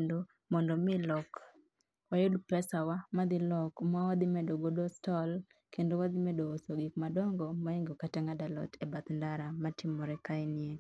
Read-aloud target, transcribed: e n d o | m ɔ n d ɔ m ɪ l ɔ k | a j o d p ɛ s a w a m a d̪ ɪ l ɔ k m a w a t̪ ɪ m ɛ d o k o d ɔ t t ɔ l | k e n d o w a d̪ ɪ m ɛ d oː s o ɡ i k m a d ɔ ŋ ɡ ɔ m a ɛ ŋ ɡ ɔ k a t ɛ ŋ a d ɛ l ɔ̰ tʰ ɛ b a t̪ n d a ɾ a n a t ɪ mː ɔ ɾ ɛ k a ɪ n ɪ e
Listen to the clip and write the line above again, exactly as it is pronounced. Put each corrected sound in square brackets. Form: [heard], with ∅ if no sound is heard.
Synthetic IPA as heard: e n d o | m ɔ n d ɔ m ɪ l ɔ k | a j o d p ɛ s a w a m a d̪ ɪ l ɔ k m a w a [d̪] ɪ m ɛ d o [ɡ] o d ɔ [s] t ɔ l | k e n d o w a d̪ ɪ m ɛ d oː s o ɡ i k m a d ɔ ŋ ɡ ɔ m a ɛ ŋ ɡ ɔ k a t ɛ ŋ a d [a] l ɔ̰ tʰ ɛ b a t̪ n d a ɾ a [m] a t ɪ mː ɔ ɾ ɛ k a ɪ n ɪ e